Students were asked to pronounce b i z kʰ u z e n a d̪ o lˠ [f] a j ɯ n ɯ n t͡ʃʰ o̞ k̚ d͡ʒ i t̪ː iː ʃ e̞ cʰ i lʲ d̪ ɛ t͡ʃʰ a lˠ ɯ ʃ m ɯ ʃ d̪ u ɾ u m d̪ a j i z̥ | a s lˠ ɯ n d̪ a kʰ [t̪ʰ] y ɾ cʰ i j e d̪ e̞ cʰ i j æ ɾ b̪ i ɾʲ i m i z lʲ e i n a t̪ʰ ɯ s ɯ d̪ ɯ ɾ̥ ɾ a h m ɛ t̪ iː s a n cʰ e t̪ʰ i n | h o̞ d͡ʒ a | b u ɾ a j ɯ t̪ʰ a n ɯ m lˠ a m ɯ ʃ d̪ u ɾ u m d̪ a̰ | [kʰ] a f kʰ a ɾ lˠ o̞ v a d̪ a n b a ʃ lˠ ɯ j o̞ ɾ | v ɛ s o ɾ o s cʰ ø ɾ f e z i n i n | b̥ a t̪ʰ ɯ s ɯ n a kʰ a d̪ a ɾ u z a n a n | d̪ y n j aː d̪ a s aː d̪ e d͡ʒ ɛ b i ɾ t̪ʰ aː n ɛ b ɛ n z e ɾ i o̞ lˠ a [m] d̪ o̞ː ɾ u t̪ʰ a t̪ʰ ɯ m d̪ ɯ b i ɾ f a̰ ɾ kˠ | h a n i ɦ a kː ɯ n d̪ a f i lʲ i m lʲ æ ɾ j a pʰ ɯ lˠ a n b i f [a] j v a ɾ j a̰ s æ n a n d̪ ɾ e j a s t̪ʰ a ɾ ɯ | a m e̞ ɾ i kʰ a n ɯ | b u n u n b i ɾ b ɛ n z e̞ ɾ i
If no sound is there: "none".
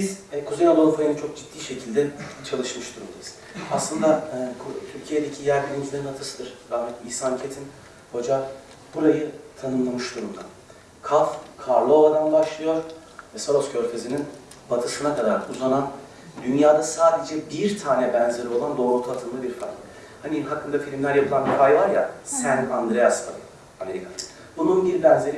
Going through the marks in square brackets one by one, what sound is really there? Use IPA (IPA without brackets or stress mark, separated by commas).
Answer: f, t̪ʰ, kʰ, n, a